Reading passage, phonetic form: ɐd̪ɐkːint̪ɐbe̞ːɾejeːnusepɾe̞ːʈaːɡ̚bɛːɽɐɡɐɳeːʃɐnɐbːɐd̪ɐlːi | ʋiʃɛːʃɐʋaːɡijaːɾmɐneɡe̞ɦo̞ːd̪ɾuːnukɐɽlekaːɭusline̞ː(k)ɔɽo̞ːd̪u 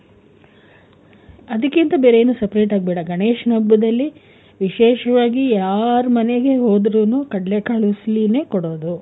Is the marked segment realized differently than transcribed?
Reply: no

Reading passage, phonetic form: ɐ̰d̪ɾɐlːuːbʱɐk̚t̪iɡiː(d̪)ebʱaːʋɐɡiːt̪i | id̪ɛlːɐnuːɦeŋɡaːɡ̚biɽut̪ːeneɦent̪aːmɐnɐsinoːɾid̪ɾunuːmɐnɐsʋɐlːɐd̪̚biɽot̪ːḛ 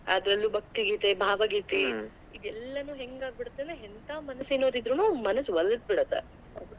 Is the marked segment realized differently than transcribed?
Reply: yes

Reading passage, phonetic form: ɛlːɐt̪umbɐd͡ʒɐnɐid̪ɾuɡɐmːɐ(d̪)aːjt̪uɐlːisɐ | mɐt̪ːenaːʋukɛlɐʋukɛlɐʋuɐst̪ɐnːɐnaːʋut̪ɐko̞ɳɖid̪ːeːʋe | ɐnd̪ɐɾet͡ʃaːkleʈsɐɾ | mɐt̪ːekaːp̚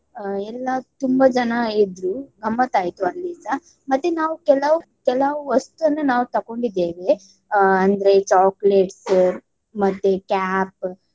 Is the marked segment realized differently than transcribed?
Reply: yes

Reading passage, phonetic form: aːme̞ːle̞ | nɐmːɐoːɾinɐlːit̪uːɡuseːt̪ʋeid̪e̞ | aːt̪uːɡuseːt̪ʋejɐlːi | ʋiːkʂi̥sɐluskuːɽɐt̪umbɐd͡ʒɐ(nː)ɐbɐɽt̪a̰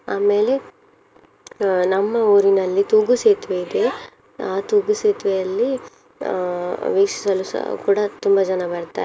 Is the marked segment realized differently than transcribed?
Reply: yes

